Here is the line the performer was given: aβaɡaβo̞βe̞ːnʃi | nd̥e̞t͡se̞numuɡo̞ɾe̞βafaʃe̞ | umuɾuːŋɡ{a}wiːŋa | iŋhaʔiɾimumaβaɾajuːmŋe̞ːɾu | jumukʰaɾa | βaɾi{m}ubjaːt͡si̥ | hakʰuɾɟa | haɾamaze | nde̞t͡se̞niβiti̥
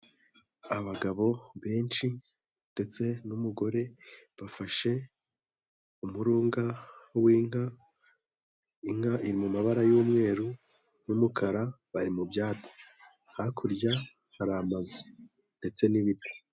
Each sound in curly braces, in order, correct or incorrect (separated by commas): correct, correct